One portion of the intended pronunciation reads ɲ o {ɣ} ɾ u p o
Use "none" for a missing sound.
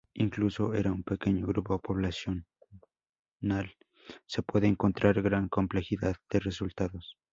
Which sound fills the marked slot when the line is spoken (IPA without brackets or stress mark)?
ɣ